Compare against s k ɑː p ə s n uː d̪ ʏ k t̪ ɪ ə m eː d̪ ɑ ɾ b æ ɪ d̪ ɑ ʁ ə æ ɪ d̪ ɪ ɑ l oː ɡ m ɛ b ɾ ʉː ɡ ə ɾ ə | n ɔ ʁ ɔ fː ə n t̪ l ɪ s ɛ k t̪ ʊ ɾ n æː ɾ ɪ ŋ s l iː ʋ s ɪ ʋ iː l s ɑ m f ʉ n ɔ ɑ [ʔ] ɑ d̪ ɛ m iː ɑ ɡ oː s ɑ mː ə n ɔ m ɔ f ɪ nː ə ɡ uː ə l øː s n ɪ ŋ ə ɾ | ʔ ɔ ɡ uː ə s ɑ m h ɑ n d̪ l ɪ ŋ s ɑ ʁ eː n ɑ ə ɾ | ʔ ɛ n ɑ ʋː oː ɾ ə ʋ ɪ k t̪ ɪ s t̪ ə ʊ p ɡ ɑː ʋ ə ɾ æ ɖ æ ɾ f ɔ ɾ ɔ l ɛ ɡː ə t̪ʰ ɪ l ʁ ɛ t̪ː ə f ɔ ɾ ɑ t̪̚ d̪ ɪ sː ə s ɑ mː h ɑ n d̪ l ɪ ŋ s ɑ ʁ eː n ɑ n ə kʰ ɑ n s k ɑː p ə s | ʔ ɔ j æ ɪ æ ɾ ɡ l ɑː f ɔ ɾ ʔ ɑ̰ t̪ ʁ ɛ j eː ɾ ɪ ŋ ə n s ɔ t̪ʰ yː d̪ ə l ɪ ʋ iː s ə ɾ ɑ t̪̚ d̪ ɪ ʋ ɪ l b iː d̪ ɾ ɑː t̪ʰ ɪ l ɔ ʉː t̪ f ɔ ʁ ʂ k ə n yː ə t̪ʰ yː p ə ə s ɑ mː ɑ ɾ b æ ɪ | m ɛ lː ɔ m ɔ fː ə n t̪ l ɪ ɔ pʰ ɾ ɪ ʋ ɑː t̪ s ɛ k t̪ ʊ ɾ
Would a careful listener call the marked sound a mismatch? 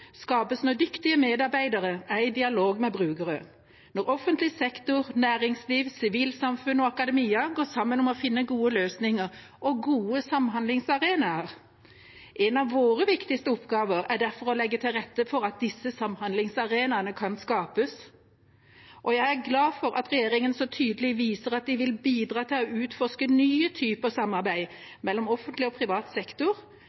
yes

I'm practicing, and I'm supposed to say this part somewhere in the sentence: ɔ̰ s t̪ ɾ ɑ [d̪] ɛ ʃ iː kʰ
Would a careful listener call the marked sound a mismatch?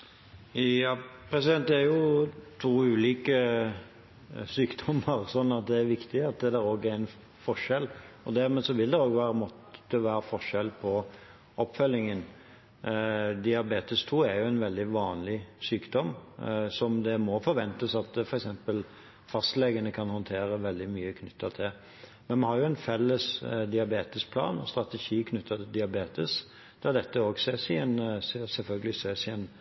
yes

